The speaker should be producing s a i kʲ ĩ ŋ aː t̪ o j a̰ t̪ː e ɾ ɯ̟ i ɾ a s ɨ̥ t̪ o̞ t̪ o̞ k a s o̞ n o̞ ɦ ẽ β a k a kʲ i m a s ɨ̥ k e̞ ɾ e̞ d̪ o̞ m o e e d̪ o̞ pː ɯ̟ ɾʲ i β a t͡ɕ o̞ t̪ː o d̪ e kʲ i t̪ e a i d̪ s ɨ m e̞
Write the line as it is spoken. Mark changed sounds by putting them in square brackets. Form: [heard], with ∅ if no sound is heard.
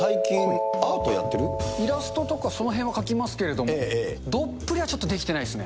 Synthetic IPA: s a i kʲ ĩ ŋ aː t̪ o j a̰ t̪ː e ɾ ɯ̟ i ɾ a s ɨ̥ t̪ o̞ t̪ o̞ k a s o̞ n o̞ ɦ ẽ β a k a kʲ i m a s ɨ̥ k e̞ ɾ e̞ d̪ o̞ m o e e d̪ o̞ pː ɯ̟ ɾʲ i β a t͡ɕ o̞ t̪ː o d̪ e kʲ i t̪ e a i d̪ s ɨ [n] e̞